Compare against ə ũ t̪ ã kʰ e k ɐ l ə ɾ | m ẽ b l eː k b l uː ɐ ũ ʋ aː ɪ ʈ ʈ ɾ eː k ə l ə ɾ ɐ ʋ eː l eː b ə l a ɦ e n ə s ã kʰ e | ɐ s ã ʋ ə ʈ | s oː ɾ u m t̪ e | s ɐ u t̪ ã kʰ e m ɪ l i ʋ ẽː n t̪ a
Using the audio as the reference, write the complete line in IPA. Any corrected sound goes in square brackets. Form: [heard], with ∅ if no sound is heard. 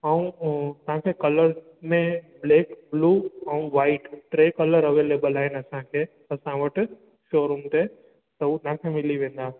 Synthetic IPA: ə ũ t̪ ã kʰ e k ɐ l ə ɾ | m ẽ b l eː k b l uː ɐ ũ ʋ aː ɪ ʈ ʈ ɾ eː k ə l ə ɾ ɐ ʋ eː l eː b ə l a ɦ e n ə s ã kʰ e | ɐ s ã ʋ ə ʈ | [ʃ] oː ɾ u m t̪ e | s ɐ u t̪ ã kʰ e m ɪ l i ʋ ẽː n [d̪] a

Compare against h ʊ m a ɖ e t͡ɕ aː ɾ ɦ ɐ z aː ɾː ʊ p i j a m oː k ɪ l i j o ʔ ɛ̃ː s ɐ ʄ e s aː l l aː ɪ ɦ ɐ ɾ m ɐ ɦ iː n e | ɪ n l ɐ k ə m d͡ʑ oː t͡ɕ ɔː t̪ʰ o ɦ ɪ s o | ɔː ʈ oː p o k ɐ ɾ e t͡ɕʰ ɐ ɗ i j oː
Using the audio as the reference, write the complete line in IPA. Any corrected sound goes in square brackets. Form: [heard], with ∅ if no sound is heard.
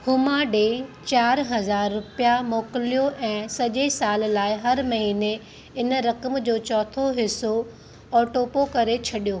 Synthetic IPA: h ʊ m a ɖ e t͡ɕ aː ɾ ɦ ɐ z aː ɾː ʊ p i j a m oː k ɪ l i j o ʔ ɛ̃ː s ɐ ʄ e s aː l l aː ɪ ɦ ɐ ɾ m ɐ ɦ iː n e | ɪ n [ɾ] ɐ k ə m d͡ʑ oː t͡ɕ ɔː t̪ʰ o ɦ ɪ s o | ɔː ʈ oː p o k ɐ ɾ e t͡ɕʰ ɐ ɗ i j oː

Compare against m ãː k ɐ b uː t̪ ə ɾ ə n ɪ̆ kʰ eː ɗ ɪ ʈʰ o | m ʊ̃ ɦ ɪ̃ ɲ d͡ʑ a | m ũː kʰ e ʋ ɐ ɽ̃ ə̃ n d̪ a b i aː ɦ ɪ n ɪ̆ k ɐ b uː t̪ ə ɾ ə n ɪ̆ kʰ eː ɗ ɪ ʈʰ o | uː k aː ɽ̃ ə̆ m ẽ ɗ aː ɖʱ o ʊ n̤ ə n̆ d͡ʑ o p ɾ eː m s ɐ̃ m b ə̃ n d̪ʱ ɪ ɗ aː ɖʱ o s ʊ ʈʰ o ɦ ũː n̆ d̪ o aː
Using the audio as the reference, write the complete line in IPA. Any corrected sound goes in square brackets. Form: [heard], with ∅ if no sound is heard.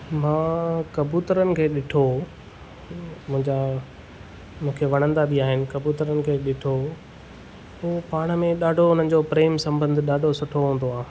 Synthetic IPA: m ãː k ɐ b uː t̪ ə ɾ ə n ɪ̆ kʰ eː ɗ ɪ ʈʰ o | m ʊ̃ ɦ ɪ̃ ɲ d͡ʑ a | m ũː kʰ e ʋ ɐ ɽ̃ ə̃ n d̪ a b i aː ɦ ɪ n ɪ̆ k ɐ b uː t̪ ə ɾ ə n ɪ̆ kʰ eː ɗ ɪ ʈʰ o | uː [p] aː ɽ̃ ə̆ m ẽ ɗ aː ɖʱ o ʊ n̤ ə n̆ d͡ʑ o p ɾ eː m s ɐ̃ m b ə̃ n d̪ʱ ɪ ɗ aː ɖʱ o s ʊ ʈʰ o ɦ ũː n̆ d̪ o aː

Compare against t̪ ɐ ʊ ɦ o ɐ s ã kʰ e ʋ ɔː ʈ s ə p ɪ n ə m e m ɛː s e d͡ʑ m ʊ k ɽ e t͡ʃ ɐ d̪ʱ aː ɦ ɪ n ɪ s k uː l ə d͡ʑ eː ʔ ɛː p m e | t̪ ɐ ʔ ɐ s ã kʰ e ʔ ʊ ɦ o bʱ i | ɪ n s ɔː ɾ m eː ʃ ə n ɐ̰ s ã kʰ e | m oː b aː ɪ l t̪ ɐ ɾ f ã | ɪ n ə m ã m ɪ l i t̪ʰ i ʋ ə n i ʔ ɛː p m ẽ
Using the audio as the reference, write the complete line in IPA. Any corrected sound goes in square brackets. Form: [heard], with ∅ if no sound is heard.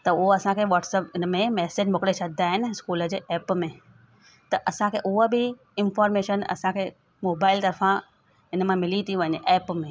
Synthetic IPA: t̪ ɐ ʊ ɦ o ɐ s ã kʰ e ʋ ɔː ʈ s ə p ɪ n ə m [ẽ] m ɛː s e d͡ʑ m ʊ k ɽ e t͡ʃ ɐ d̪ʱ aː ɦ ɪ n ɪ s k uː l ə d͡ʑ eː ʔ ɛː p m [ẽ] | t̪ ɐ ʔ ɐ s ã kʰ e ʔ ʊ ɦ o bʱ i | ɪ n [f] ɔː ɾ m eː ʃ ə n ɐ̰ s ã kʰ e | m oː b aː ɪ l t̪ ɐ ɾ f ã | ɪ n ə m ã m ɪ l i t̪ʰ i ʋ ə n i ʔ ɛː p m ẽ

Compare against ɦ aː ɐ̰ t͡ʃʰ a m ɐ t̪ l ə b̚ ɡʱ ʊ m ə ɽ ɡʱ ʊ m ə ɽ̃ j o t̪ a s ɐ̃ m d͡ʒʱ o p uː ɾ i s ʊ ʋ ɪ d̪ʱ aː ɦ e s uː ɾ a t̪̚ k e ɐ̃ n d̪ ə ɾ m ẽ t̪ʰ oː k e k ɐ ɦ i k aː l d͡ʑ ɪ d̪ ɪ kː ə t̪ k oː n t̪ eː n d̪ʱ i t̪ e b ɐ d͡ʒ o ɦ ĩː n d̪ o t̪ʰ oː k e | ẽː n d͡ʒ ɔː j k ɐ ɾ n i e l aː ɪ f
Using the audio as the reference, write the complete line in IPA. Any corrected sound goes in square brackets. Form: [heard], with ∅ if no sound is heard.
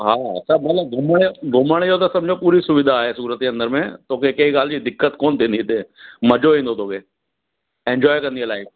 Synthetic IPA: ɦ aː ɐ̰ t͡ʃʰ a m ɐ t̪ l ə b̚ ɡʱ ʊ m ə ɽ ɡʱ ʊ m ə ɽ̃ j o t̪ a s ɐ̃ m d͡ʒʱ o p uː ɾ i s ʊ ʋ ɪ d̪ʱ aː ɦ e s uː ɾ [ə] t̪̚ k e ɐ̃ n d̪ ə ɾ m ẽ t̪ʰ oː k e k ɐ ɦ i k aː l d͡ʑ [i] d̪ ɪ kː ə t̪ k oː n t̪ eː n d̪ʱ i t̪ e [m] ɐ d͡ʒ o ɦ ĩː n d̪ o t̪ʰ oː k e | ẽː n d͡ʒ ɔː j k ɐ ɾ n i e l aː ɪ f

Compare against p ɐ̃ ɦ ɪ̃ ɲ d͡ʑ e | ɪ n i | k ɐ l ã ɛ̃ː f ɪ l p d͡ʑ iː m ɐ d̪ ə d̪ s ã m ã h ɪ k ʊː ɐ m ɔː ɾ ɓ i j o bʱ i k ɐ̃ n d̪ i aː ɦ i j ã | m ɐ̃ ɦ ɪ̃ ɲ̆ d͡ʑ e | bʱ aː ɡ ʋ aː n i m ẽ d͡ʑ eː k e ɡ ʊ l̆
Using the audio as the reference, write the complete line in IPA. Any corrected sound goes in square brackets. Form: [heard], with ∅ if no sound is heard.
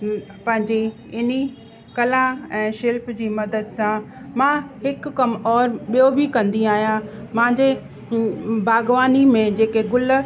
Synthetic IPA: p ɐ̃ ɦ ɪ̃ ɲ d͡ʑ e | ɪ n i | k ɐ l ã ɛ̃ː [ʃ] ɪ l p d͡ʑ iː m ɐ d̪ ə d̪ s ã m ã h ɪ k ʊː ɐ m ɔː ɾ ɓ i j o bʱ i k ɐ̃ n d̪ i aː ɦ i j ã | m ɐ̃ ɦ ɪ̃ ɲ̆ d͡ʑ e | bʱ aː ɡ ʋ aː n i m ẽ d͡ʑ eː k e ɡ ʊ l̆

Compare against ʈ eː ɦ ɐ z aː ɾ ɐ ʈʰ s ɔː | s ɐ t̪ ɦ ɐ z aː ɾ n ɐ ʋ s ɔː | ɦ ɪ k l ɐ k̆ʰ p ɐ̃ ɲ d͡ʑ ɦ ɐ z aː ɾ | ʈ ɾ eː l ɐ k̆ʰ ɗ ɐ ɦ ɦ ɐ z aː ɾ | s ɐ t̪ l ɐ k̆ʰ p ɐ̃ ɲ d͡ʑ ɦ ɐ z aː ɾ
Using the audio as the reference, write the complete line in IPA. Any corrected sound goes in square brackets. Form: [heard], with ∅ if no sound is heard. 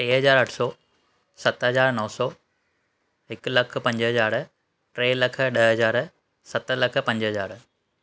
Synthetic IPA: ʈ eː ɦ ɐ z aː ɾ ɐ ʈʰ s ɔː | s ɐ t̪ ɦ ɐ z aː ɾ n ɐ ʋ s ɔː | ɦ ɪ k l ɐ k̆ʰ p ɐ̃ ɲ d͡ʑ ɦ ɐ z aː ɾ | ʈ ɾ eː l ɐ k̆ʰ ɗ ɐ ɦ ɦ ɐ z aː ɾ | s ɐ t̪ l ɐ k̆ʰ p ɐ̃ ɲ d͡ʑ ɦ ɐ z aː ɾ

